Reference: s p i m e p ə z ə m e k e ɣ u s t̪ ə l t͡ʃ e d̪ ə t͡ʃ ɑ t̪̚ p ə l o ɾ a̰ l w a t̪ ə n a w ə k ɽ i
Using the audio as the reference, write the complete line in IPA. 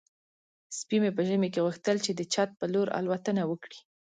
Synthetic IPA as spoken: s p i m e p ə ʒ ə m e k e ɣ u x t̪ ə l t͡ʃ e d̪ ə t͡ʃ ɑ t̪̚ p ə l o ɾ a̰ l w a t̪ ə n a w ə k ɽ i